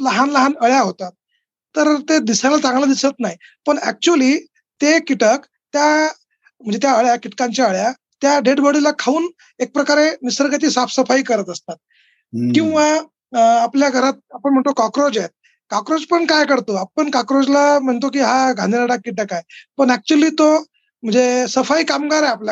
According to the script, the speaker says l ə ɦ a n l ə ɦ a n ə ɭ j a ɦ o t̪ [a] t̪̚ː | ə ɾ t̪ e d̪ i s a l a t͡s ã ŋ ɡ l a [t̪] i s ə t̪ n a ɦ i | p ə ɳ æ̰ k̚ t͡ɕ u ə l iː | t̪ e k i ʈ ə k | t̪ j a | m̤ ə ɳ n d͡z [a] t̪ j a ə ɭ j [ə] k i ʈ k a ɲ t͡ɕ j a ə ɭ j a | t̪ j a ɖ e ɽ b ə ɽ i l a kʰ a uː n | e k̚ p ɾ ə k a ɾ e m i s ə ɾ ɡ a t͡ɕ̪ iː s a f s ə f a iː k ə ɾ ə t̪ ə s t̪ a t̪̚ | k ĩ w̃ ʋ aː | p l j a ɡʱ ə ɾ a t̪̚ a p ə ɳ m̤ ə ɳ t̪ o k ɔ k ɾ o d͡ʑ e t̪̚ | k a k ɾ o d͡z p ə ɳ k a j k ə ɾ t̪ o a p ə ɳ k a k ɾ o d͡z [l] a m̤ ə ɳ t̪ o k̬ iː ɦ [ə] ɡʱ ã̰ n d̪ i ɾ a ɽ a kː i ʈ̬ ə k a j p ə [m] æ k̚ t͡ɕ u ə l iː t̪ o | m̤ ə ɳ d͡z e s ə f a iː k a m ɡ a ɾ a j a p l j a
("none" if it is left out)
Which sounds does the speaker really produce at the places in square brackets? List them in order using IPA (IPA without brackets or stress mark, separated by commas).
a, d̪, e, a, l, a, ɳ